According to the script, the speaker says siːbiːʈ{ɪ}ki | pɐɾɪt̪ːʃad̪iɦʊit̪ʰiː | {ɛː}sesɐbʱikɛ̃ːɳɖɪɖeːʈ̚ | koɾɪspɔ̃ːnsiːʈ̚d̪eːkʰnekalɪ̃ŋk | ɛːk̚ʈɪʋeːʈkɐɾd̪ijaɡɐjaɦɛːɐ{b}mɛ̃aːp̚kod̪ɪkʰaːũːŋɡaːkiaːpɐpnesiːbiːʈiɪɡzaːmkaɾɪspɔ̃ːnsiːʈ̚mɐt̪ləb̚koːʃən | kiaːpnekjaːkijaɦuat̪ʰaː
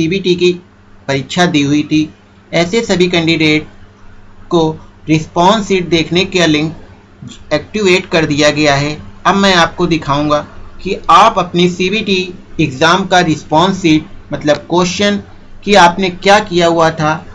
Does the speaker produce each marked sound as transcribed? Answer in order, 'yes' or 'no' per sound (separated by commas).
no, yes, yes